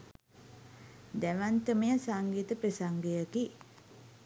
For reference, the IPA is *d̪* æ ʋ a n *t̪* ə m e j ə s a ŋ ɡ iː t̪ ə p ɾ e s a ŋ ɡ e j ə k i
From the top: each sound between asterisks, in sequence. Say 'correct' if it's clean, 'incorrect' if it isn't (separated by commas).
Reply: correct, correct